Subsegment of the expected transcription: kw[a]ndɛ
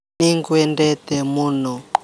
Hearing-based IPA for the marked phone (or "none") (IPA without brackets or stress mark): ɛ